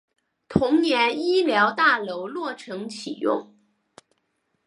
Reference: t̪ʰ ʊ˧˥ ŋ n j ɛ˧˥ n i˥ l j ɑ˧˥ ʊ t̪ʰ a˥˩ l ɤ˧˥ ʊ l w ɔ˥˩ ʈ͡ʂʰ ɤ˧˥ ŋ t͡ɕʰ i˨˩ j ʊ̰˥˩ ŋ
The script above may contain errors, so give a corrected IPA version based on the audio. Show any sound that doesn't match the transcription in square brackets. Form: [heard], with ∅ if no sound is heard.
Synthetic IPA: t̪ʰ ʊ˧˥ ŋ n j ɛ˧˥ n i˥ l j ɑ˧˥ ʊ [t̪] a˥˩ l [o˧˥] ʊ l w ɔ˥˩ ʈ͡ʂʰ ɤ˧˥ ŋ t͡ɕʰ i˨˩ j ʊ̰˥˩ ŋ